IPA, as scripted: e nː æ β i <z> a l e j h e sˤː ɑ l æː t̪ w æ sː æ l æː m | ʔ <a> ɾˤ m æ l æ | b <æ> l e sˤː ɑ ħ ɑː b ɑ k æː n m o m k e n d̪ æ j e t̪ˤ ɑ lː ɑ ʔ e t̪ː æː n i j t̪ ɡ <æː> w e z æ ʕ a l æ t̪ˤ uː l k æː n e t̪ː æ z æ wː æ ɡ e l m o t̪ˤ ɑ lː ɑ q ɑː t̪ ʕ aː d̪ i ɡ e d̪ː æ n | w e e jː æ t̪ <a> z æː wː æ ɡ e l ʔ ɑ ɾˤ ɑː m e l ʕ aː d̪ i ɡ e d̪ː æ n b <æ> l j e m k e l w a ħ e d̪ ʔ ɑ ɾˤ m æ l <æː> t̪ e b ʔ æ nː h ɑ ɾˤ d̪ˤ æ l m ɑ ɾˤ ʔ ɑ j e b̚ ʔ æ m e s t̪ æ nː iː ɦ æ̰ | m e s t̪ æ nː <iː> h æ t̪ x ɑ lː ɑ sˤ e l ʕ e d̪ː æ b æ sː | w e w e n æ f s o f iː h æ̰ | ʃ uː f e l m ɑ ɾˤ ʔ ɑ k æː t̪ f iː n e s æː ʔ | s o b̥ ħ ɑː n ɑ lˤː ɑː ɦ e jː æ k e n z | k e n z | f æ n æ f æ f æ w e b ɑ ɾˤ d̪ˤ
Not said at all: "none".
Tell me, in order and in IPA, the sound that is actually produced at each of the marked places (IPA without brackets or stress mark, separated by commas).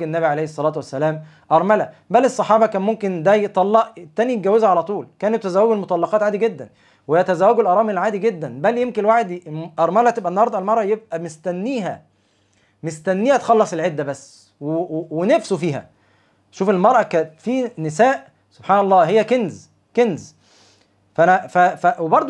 ʕ, ɑ, æ, æ, æ, æ, æ, iː